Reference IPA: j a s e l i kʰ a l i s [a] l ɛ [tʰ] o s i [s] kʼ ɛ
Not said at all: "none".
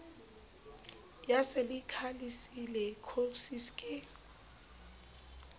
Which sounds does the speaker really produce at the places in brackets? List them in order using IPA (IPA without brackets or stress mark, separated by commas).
i, kʰ, s